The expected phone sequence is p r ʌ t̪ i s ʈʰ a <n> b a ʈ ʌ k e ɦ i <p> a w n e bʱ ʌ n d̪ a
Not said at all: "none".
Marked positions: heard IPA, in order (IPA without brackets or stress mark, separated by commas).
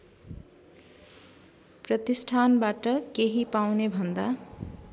n, p